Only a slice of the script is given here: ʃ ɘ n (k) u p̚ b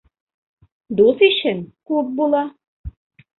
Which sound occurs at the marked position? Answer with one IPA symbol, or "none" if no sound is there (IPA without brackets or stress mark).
k